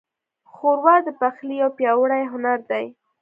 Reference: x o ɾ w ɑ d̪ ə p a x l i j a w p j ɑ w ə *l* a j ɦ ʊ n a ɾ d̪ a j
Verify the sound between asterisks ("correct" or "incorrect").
incorrect